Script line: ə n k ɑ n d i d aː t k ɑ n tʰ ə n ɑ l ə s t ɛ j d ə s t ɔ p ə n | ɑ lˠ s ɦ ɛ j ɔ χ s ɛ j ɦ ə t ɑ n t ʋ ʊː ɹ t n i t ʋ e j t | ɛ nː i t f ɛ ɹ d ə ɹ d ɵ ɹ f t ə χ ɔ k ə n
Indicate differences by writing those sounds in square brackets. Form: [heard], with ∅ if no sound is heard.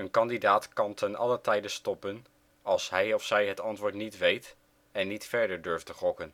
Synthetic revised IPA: ə n k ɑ n d i d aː t k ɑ n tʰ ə n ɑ l ə [∅] t ɛ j d ə s t ɔ p ə n | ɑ lˠ s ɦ ɛ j ɔ [f] s ɛ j ɦ ə t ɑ n t ʋ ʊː ɹ t n i t ʋ e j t | ɛ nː i t f ɛ ɹ d ə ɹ d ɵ ɹ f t ə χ ɔ k ə n

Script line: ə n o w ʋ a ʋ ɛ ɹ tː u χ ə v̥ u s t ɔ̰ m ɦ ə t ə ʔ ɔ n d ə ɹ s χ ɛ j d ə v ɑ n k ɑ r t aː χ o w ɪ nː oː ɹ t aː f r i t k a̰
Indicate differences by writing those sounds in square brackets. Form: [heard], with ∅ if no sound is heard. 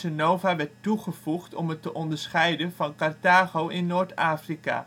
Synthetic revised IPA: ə n o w [v] a ʋ ɛ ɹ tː u χ ə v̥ u [χ] t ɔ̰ m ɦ ə t ə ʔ ɔ n d ə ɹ s χ ɛ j d ə v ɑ n k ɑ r t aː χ o w ɪ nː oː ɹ t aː f r i [∅] k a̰

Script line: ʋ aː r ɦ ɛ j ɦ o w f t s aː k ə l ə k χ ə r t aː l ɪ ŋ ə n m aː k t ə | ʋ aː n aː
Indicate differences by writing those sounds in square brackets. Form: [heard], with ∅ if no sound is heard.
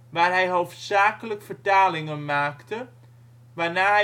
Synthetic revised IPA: ʋ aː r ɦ ɛ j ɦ o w f t s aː k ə l ə k [f] ə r t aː l ɪ ŋ ə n m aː k t ə | ʋ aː n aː

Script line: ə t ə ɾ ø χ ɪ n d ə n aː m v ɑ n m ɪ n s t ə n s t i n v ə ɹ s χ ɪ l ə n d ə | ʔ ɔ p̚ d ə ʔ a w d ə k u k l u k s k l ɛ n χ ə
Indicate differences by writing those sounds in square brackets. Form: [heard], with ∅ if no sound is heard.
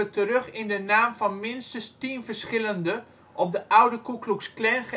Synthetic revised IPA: ə t ə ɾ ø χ ɪ n d ə n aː m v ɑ n m ɪ n s t ə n s t i n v ə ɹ s χ ɪ l ə n d ə | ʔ ɔ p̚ d ə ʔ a w d ə k u k l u k s k l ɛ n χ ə

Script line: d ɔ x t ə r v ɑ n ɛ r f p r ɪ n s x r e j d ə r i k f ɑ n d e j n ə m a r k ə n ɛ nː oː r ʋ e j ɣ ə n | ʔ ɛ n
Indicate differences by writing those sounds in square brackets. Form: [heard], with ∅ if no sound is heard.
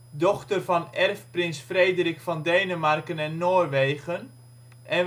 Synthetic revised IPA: d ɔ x t ə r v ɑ n ɛ r f p r ɪ n s [f] r e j d ə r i k f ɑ n d e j n ə m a r k ə n ɛ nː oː r ʋ e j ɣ ə n | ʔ ɛ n

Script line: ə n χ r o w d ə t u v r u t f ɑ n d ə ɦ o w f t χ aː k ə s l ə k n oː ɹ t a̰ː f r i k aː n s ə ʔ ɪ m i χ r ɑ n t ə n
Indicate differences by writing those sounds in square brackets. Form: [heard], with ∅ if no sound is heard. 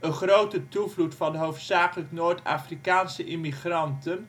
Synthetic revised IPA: ə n χ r o w [t] ə t u v [l] u t f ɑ n d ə ɦ o w f t [s] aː k ə [∅] l ə k n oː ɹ t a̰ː f r i k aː n s ə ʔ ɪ m i χ r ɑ n t ə n

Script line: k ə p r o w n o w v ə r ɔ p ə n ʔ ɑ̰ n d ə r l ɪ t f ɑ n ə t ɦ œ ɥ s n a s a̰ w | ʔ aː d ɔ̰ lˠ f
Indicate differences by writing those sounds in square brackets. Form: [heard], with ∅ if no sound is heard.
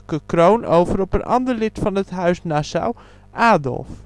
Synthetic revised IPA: k ə [k] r o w n o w v ə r ɔ p ə n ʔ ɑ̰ n d ə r l ɪ t f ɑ n ə t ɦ œ ɥ s n a s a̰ w | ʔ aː d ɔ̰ lˠ f

